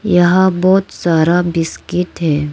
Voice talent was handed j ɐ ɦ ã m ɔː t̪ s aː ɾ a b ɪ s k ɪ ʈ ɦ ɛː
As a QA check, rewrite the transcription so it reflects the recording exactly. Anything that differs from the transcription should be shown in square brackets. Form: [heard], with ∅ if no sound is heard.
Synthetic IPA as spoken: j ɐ ɦ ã [b] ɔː t̪ s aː ɾ a b ɪ s k ɪ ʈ ɦ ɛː